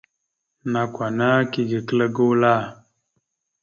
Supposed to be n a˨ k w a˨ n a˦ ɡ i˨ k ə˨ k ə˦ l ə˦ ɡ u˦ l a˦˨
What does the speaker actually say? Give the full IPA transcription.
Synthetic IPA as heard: n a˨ k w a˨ n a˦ k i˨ ɡ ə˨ k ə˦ l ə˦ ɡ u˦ l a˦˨